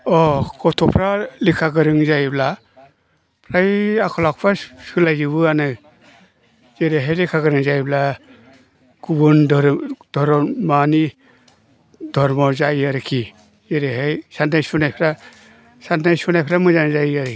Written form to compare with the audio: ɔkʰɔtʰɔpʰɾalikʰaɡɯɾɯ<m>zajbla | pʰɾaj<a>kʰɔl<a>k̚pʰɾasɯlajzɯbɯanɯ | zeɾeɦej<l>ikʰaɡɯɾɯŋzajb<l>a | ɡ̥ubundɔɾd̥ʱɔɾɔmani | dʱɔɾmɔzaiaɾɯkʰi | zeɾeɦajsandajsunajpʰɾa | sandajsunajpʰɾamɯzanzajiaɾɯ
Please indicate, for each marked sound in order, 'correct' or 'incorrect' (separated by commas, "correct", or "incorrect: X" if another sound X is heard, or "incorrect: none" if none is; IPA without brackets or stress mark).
incorrect: ŋ, correct, correct, correct, correct